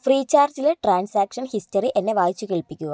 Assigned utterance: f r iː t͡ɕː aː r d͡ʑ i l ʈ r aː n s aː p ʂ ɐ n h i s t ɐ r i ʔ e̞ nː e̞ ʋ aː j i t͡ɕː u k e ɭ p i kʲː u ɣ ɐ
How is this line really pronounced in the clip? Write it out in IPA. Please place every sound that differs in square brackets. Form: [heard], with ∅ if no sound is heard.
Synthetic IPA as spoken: f r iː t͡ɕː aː r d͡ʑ i l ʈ r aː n s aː [k] ʂ ɐ n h i s t ɐ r i ʔ e̞ nː e̞ ʋ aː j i t͡ɕː u k e ɭ p i kʲː u ɣ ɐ